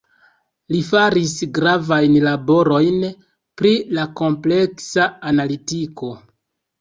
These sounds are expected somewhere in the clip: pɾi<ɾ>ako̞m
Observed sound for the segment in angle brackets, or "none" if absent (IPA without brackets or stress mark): l